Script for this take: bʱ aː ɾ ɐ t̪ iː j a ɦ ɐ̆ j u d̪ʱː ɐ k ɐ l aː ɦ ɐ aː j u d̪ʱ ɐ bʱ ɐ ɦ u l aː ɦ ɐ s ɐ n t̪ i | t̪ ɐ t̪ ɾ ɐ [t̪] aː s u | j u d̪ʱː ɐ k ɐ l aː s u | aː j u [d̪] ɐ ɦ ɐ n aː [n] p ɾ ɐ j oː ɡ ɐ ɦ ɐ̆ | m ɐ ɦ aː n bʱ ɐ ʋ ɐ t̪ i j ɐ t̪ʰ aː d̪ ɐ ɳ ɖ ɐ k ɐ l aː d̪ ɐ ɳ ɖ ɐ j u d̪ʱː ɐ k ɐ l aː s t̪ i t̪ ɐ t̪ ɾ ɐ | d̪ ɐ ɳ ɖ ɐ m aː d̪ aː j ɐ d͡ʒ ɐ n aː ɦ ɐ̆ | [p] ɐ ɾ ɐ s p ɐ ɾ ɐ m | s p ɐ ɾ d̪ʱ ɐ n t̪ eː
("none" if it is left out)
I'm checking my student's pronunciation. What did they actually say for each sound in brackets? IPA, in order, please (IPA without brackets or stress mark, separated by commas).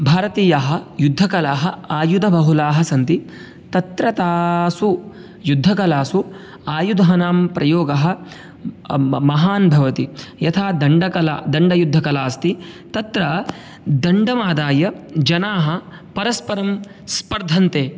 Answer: t̪, d̪, m, p